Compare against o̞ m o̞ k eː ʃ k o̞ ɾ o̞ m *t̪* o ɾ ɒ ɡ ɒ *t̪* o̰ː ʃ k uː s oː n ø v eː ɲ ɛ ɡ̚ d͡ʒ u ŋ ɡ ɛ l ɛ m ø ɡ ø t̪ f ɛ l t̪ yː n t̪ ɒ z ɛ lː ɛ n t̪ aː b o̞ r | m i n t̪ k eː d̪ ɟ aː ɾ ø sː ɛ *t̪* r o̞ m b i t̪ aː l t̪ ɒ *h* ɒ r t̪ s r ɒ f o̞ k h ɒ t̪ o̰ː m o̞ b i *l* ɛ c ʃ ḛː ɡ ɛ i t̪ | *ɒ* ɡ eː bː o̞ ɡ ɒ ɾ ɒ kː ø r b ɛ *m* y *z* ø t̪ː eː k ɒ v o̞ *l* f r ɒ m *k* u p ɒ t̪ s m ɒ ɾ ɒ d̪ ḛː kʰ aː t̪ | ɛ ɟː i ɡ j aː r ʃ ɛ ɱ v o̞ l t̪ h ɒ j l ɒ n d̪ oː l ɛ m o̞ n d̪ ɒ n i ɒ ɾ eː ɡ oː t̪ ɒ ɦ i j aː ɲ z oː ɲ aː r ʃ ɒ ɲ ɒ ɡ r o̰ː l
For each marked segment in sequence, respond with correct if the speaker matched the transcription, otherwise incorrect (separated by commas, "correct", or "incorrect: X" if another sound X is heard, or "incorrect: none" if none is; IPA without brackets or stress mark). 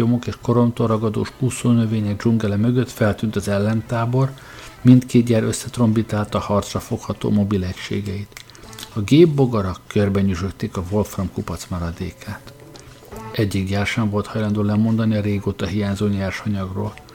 correct, incorrect: d̪, correct, correct, correct, correct, incorrect: ɲ, incorrect: ʒ, correct, correct